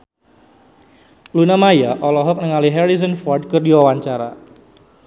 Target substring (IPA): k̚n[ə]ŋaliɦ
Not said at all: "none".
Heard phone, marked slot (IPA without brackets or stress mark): ə